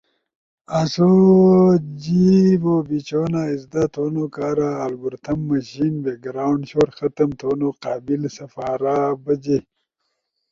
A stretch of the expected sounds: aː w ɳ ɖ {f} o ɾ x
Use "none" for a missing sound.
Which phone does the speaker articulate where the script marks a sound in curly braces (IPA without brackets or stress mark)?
ɕ